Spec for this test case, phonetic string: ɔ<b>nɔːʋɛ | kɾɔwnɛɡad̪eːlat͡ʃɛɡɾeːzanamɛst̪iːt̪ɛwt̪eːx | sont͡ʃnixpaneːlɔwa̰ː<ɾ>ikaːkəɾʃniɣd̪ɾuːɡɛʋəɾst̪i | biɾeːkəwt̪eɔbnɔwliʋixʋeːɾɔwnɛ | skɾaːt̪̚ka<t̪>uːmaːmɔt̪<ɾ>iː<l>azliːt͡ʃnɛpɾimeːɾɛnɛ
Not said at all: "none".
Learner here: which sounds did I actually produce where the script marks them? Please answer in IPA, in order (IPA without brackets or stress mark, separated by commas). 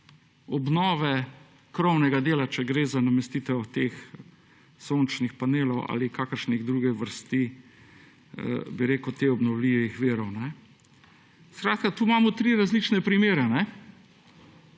b, l, t̪, ɾ, ɾ